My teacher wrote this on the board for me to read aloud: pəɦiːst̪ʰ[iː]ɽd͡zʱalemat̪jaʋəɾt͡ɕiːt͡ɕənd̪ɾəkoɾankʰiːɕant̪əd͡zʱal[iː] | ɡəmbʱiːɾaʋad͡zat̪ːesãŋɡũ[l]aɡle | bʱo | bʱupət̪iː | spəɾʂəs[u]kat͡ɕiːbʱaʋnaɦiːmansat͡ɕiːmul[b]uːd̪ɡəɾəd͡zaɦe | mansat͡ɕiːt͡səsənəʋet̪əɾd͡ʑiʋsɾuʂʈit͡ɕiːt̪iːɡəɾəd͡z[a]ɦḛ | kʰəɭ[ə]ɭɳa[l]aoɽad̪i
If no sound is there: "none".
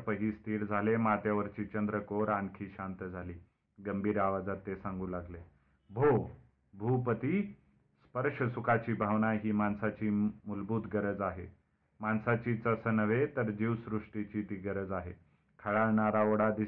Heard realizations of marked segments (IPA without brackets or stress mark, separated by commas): iː, iː, l, u, b, a, a, ɾ